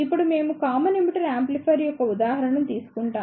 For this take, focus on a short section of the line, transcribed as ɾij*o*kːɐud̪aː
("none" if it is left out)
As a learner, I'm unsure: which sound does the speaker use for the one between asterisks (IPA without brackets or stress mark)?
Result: ɔ